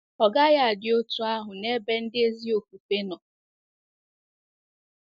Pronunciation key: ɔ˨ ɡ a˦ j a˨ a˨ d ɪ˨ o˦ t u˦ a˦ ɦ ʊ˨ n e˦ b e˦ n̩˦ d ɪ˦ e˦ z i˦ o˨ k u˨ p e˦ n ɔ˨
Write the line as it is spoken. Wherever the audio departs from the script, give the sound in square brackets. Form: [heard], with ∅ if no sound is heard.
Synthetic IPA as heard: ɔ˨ ɡ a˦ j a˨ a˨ d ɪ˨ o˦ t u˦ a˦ ɦ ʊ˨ n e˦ b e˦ n̩˦ d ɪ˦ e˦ z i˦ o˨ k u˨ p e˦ n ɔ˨